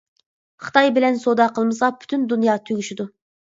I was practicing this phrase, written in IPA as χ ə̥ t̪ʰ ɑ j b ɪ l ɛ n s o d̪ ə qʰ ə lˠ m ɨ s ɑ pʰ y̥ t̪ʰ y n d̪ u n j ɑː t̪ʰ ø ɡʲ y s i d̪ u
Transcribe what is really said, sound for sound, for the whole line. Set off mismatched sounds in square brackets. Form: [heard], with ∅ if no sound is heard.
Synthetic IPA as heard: χ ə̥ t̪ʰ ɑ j b ɪ l ɛ n s o d̪ [ɑ] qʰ ə lˠ m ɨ s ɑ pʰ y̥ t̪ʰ y n d̪ u n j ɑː t̪ʰ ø ɡʲ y [ʃ] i d̪ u